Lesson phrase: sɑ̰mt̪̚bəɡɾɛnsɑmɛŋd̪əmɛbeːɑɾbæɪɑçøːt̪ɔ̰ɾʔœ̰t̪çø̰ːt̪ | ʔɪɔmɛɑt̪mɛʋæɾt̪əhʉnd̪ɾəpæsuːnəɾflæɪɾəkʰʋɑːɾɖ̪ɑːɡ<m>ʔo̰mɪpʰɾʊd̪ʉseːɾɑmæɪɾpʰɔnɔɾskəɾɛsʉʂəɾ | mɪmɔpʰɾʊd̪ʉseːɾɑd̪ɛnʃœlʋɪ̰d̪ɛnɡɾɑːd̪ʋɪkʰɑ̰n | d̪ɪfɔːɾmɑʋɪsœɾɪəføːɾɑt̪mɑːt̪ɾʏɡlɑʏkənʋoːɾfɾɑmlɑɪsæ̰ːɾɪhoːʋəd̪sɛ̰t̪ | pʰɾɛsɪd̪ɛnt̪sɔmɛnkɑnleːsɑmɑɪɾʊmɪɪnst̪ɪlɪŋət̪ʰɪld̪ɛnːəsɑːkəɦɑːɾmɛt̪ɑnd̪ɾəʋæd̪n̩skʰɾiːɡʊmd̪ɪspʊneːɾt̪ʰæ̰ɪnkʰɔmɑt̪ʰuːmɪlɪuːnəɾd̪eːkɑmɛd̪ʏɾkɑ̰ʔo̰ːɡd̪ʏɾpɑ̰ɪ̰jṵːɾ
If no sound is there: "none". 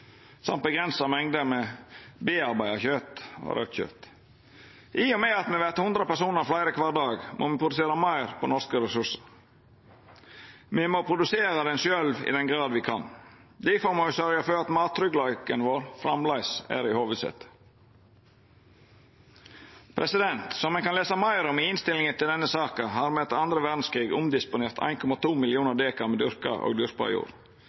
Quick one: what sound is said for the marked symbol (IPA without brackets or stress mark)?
m